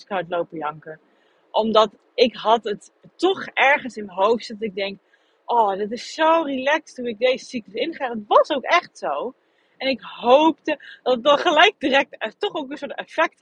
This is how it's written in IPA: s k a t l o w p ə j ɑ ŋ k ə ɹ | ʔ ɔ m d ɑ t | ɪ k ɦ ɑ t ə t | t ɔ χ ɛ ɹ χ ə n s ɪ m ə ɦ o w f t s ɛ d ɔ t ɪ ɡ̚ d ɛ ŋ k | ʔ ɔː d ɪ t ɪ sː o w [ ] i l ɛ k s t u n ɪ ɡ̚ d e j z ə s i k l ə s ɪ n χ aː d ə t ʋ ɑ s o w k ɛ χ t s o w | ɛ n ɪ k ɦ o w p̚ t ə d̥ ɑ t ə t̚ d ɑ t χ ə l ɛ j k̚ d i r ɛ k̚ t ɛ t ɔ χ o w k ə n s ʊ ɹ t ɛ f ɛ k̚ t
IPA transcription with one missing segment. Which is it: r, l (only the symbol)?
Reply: r